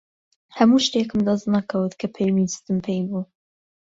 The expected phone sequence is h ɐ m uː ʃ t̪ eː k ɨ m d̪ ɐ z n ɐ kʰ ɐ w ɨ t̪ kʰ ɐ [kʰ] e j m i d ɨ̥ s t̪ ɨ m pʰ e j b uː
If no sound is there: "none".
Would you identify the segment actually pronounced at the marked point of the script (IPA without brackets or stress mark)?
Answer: pʰ